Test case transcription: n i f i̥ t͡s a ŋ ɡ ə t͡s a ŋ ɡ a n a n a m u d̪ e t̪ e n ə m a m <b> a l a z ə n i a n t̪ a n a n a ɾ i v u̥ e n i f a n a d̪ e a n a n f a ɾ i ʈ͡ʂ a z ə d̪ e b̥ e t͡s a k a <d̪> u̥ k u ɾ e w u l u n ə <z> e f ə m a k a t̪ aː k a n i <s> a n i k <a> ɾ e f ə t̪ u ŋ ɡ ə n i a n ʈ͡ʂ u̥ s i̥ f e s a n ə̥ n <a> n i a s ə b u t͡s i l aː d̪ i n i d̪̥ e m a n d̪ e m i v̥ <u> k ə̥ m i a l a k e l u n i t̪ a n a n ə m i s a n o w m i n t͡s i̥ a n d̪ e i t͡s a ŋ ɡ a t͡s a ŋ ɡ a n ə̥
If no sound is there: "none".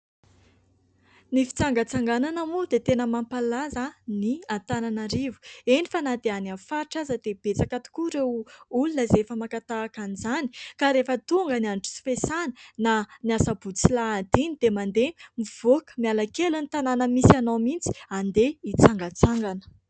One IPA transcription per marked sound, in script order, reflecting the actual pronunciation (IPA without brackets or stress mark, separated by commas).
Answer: p, t̪, z, z, a, a, o